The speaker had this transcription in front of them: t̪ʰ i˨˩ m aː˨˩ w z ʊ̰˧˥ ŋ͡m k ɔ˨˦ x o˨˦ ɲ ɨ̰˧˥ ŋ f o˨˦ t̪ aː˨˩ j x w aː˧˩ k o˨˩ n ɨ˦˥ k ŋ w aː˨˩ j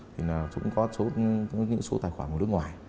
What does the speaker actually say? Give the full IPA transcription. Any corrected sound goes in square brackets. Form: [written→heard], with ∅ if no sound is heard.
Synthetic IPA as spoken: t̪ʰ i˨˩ [m→n] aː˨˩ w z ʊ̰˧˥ ŋ͡m k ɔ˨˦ [x→s] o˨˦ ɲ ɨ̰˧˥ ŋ [f→s] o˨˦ t̪ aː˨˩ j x w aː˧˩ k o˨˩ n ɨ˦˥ k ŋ w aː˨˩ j

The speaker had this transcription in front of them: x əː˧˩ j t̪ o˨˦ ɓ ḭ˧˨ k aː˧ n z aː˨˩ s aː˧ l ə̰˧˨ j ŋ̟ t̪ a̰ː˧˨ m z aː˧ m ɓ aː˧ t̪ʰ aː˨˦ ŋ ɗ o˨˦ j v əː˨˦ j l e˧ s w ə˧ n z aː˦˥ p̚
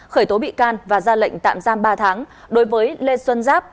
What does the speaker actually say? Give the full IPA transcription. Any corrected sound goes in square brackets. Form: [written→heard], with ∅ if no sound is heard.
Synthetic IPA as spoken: x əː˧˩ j t̪ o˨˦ ɓ ḭ˧˨ k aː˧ n [z→v] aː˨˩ [s→z] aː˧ l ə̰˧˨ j ŋ̟ t̪ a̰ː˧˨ m z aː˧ m ɓ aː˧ t̪ʰ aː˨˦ ŋ ɗ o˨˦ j v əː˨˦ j l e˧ s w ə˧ n z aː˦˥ p̚

